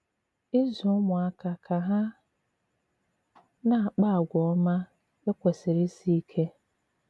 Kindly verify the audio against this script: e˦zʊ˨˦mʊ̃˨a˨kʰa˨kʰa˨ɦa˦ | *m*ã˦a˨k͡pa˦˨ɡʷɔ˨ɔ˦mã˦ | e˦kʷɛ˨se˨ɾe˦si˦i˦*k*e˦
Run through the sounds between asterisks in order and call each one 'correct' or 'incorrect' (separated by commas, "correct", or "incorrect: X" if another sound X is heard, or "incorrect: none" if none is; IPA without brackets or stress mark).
incorrect: n, incorrect: kʰ